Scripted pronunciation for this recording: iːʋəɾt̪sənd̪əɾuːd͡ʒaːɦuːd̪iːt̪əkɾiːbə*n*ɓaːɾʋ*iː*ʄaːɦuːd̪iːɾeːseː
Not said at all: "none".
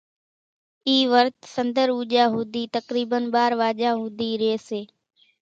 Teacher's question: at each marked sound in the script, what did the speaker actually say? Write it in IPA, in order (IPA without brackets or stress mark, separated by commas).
n, aː